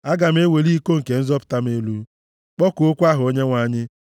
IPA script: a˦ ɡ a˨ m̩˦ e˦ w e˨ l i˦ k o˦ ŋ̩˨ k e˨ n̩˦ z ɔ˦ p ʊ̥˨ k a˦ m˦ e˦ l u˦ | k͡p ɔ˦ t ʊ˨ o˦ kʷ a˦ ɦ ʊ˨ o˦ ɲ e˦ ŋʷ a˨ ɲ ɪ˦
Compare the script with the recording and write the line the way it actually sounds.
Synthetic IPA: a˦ ɡ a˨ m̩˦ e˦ w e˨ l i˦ k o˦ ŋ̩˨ k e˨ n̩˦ z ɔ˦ p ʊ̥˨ t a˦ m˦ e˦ l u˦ | k͡p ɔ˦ k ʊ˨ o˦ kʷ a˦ ɦ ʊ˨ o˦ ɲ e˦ ŋʷ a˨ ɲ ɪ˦